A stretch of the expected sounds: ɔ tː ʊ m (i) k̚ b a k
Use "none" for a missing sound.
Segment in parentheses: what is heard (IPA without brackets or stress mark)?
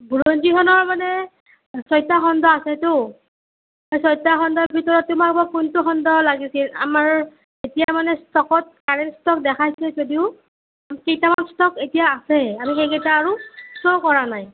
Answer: a